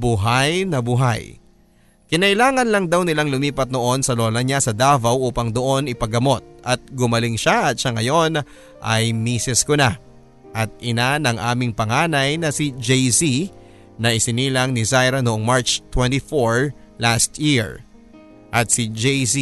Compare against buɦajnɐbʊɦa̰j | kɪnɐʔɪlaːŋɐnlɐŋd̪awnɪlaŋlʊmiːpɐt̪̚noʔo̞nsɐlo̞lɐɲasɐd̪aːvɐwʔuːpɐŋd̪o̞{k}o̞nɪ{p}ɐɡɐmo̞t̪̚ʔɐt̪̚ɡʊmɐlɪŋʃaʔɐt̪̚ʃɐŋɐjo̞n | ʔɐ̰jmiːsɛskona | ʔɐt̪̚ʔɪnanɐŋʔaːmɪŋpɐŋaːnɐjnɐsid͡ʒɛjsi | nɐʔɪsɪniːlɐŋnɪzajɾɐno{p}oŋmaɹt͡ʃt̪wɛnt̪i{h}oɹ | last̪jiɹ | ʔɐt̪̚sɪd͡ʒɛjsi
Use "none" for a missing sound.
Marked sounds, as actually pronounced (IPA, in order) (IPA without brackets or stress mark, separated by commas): ʔ, p, ʔ, f